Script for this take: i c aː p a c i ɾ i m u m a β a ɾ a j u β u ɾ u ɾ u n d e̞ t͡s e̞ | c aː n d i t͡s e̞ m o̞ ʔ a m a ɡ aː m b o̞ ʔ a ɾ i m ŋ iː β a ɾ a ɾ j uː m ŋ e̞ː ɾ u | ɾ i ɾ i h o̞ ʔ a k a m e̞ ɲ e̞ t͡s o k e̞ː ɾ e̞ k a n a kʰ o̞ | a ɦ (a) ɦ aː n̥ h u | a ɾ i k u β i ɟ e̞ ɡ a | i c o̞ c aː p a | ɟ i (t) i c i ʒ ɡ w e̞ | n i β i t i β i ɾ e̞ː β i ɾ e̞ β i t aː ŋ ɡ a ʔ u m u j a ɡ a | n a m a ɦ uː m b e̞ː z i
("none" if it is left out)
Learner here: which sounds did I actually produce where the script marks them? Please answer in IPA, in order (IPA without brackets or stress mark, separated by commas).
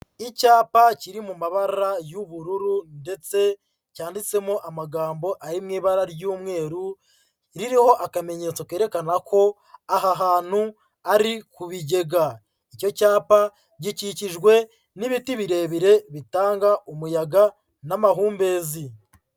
a, c